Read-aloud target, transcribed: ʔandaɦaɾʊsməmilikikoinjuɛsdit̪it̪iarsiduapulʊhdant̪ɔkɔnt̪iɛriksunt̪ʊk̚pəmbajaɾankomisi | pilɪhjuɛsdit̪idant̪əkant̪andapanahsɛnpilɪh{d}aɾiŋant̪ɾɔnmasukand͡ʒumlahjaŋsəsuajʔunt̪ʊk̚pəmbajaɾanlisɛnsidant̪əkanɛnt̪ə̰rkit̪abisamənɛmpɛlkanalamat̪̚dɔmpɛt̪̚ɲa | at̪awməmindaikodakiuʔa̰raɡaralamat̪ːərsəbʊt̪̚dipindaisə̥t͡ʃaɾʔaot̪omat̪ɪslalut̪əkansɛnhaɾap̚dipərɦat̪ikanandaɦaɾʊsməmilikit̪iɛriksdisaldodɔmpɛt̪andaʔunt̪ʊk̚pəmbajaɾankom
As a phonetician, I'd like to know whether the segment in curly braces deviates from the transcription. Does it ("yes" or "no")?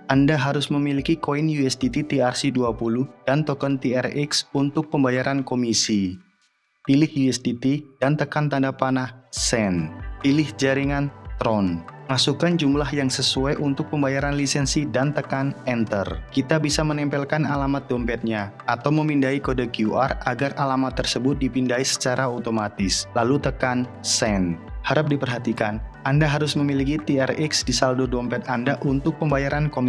yes